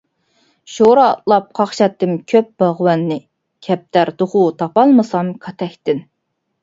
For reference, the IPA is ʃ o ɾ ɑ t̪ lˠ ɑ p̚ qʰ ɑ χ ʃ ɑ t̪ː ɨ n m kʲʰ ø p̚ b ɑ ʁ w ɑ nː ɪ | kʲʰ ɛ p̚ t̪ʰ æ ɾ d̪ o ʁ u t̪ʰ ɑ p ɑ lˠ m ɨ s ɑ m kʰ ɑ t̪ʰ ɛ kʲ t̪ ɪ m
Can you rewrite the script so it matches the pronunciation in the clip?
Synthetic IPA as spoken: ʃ o ɾ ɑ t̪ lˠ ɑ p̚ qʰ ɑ χ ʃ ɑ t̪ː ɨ m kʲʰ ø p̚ b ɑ ʁ w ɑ nː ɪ | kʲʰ ɛ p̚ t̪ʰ æ ɾ d̪ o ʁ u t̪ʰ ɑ p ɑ lˠ m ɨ s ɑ m kʰ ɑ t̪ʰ ɛ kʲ t̪ ɪ n